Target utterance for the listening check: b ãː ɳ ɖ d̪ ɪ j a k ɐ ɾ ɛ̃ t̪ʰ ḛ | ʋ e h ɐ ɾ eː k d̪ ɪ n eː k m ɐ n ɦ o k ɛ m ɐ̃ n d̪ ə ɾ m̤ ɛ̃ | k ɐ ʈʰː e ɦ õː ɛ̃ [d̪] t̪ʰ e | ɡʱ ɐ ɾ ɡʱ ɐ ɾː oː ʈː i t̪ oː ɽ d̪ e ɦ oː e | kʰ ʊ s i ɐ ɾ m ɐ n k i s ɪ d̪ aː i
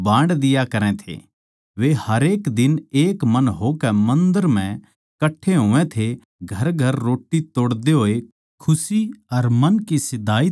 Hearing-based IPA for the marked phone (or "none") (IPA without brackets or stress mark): none